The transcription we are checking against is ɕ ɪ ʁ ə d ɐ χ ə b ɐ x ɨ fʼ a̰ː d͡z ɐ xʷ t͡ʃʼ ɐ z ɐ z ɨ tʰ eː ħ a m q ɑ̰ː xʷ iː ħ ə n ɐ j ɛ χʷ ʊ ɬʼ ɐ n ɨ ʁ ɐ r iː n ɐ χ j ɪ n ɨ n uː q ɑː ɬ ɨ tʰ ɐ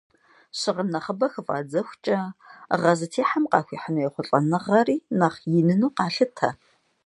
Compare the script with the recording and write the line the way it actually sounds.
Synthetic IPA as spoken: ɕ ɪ ʁ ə n ɐ χ ə b ɐ x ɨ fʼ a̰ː d͡z ɐ xʷ t͡ʃʼ ɐ ʁ ɐ z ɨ tʰ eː ħ a m q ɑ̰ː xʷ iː ħ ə n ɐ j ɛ χʷ ʊ ɬʼ ɐ n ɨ ʁ ɐ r iː n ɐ χ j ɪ n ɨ n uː q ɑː ɬ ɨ tʰ ɐ